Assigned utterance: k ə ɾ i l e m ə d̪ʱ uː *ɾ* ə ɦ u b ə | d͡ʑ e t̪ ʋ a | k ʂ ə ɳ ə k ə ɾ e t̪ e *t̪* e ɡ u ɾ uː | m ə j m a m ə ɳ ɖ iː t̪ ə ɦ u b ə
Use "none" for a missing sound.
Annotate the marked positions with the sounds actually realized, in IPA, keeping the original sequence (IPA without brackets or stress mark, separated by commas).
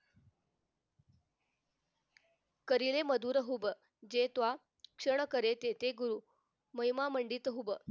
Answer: ɾ, t̪